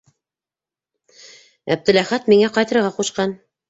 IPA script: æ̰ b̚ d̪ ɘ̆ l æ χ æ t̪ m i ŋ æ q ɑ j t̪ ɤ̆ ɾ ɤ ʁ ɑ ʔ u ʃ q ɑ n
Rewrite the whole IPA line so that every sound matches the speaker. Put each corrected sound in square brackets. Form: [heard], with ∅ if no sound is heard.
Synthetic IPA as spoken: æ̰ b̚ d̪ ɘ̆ l æ χ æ t̪ m i ŋ æ q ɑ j t̪ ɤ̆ ɾ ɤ ʁ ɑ [q] u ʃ q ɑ n